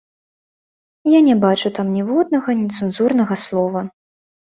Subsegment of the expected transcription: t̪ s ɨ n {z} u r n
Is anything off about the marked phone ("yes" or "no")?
no